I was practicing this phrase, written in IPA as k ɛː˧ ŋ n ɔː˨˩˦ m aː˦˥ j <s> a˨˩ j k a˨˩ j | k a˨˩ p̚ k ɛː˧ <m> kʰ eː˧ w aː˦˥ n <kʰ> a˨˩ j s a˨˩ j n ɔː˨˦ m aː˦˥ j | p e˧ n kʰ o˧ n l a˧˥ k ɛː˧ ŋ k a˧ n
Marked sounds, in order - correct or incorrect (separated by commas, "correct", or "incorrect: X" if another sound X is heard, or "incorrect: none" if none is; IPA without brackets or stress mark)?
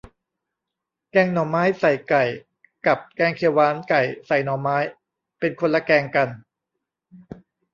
correct, incorrect: ŋ, incorrect: k